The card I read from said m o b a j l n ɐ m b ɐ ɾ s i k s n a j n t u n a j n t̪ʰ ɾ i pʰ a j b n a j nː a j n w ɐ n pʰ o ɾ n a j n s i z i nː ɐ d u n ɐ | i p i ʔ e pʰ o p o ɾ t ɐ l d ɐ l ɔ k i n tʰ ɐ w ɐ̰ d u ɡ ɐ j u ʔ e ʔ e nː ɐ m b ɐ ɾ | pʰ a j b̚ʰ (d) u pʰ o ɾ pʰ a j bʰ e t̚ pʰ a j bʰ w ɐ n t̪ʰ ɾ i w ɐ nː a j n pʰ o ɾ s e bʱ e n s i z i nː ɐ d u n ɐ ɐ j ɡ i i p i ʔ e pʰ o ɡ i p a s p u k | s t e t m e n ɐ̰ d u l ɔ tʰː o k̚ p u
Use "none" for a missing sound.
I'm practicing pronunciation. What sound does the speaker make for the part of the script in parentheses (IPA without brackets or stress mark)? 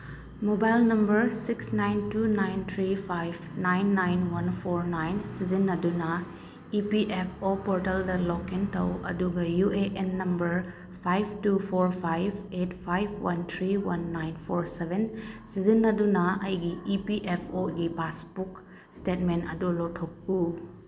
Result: t